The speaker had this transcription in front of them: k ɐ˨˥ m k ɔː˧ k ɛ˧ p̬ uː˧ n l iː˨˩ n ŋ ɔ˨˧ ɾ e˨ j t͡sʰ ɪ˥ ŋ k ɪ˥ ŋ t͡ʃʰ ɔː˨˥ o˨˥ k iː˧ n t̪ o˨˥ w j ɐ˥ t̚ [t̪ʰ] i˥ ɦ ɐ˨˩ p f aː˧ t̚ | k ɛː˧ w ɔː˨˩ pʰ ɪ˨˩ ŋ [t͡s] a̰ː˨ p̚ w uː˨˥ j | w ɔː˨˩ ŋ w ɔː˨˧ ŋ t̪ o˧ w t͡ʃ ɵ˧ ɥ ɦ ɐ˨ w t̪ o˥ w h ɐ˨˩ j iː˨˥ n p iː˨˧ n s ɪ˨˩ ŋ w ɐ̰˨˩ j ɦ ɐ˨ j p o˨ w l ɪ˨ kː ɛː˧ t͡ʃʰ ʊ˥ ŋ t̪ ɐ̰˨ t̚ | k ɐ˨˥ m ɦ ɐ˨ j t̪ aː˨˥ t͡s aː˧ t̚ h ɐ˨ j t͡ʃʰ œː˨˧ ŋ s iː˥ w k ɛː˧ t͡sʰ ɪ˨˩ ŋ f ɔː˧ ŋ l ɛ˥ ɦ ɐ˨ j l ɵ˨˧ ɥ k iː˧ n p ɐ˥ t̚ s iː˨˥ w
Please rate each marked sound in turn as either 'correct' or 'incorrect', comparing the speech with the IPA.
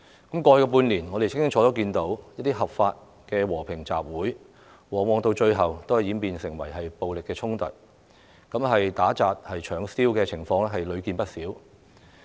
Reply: incorrect, correct

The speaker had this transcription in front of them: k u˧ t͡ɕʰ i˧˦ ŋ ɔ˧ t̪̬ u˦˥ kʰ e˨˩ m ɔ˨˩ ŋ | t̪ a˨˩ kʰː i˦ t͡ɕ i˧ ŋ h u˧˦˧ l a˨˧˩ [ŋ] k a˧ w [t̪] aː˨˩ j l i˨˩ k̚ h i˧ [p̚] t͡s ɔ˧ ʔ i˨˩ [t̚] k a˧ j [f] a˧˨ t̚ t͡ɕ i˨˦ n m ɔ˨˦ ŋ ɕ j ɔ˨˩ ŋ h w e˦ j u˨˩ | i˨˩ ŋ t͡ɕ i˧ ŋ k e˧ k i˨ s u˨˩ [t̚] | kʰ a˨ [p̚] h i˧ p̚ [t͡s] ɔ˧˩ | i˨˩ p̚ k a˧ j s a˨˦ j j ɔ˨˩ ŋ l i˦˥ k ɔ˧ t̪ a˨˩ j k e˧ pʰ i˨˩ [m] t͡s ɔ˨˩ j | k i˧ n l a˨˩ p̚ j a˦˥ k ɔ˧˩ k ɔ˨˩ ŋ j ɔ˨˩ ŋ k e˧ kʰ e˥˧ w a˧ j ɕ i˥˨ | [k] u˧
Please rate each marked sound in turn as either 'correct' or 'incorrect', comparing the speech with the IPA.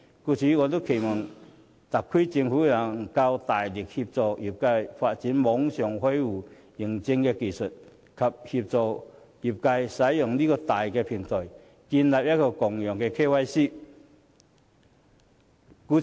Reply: correct, correct, correct, incorrect, correct, correct, correct, correct, incorrect, correct

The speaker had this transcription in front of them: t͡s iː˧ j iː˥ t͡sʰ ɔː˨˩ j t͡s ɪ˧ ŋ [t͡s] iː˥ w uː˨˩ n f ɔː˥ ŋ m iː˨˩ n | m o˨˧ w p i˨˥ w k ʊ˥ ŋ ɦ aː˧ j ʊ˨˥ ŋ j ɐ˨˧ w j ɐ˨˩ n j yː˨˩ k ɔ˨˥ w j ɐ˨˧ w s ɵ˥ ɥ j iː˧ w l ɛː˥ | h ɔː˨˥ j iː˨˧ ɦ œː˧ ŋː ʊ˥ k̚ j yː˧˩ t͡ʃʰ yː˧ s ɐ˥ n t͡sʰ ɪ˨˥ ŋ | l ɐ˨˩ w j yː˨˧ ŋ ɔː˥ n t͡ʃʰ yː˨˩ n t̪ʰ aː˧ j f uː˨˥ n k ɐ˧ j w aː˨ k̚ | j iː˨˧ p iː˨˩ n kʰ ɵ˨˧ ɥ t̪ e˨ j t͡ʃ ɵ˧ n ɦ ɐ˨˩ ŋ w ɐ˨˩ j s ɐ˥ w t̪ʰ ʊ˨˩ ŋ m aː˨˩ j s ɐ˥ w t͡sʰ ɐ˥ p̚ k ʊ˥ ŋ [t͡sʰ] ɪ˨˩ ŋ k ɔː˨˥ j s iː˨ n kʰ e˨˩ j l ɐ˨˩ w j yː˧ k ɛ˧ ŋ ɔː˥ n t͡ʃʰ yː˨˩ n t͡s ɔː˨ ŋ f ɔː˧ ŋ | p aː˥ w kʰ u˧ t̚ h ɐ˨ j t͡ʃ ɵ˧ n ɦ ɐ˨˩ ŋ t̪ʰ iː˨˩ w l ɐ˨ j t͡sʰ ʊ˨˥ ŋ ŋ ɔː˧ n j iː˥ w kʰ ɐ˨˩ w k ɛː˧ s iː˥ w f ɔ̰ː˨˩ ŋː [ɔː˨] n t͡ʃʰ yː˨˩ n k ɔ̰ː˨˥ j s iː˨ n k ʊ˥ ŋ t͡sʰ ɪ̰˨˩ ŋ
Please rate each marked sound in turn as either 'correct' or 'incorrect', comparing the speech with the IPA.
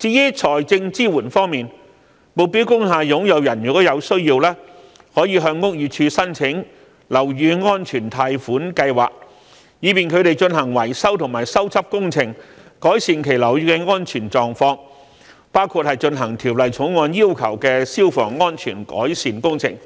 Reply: correct, correct, incorrect

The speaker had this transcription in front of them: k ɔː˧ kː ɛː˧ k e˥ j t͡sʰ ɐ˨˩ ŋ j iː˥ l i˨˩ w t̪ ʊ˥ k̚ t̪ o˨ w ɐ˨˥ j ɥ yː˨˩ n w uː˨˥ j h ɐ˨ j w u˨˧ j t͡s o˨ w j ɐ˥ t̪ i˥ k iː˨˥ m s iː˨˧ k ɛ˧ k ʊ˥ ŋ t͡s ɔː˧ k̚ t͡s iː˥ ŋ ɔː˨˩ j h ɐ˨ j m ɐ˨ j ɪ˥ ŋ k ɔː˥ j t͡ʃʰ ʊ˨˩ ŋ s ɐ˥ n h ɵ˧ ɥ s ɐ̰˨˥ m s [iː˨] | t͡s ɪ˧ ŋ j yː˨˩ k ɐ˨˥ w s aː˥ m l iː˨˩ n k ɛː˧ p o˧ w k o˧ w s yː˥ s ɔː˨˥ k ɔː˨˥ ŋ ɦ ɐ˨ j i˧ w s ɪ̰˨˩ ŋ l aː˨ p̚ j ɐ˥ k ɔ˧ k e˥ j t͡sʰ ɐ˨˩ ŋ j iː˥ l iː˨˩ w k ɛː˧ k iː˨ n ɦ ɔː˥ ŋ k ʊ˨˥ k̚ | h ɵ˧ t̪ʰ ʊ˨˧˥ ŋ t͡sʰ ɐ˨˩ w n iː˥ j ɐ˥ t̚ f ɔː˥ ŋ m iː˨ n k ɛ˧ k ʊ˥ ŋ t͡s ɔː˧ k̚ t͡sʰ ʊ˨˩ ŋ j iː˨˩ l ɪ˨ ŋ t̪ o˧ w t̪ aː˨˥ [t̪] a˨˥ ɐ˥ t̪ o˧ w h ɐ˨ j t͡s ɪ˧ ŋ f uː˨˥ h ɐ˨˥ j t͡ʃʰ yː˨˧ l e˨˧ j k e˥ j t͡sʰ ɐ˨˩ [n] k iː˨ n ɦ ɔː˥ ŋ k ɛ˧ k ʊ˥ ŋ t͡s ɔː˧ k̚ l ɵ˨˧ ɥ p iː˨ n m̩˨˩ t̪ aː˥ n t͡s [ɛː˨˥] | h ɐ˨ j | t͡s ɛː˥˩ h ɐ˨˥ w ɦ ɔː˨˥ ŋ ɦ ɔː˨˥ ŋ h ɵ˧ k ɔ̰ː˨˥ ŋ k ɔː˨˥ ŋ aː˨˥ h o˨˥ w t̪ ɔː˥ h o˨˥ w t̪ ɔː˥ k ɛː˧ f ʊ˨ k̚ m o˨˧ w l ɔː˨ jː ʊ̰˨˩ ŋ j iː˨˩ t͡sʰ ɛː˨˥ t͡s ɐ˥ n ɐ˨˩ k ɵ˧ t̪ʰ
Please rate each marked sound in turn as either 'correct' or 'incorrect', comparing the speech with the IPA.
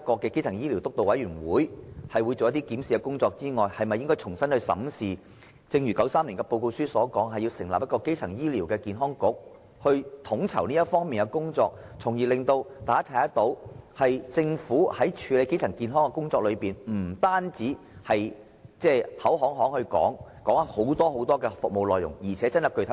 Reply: correct, incorrect, incorrect, incorrect

